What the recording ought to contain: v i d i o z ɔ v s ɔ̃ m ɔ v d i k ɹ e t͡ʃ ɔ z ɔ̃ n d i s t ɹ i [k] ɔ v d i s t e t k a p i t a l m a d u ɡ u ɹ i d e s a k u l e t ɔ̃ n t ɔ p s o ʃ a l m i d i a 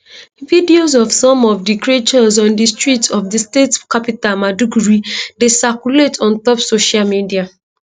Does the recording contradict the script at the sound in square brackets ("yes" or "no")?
yes